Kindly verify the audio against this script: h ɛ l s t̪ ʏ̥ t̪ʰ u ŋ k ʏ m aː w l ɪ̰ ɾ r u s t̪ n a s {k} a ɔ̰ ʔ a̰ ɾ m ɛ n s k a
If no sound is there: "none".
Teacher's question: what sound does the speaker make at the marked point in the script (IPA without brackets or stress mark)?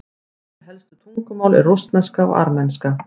k